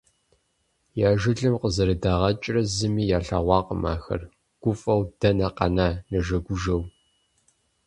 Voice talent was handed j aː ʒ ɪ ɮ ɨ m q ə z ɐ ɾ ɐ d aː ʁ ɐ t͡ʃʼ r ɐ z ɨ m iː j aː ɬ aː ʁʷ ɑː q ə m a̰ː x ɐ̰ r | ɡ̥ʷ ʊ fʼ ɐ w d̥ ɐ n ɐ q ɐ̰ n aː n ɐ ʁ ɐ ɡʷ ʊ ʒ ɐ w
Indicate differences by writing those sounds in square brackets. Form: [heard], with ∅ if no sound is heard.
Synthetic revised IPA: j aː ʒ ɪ ɮ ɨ m q ə z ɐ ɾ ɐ d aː ʁ ɐ t͡ʃʼ r ɐ z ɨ m iː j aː ɬ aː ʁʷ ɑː q ə m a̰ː x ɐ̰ r | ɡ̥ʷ ʊ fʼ ɐ w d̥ ɐ n ɐ q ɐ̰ n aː n ɐ [ʒ] ɐ ɡʷ ʊ ʒ ɐ w